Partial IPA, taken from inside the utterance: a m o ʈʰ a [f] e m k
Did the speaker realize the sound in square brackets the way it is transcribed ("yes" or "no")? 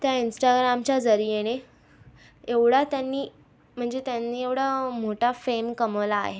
yes